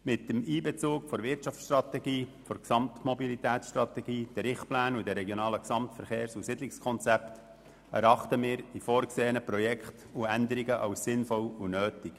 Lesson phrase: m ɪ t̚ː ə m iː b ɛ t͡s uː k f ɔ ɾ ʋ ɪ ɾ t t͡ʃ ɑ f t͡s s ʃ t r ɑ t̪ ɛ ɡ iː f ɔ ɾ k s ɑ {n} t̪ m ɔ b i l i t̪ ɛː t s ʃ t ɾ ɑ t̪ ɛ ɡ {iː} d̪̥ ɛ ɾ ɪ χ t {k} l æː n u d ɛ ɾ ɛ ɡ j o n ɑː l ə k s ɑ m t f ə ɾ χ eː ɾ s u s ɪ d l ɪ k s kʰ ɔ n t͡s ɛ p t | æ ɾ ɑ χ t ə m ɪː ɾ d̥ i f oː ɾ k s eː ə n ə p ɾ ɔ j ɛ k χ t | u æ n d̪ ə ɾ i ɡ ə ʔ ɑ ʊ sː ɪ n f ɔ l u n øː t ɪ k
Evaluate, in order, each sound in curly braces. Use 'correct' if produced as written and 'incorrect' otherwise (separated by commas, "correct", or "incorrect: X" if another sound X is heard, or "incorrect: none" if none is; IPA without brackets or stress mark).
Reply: incorrect: m, correct, incorrect: p